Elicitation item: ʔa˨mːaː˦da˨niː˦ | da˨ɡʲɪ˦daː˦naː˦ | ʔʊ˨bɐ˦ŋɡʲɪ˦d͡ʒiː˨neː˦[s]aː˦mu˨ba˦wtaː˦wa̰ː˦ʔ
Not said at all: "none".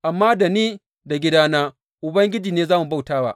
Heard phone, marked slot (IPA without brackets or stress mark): z